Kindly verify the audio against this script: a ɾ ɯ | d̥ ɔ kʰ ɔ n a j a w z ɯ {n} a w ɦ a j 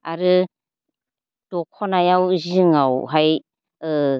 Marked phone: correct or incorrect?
incorrect